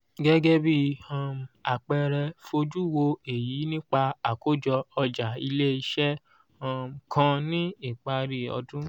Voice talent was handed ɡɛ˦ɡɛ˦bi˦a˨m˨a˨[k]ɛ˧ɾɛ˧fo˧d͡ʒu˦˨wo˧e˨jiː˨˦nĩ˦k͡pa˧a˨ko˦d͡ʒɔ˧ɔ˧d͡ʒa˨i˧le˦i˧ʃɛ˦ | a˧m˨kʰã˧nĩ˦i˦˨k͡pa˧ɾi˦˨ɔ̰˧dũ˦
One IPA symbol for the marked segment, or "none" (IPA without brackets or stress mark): k͡p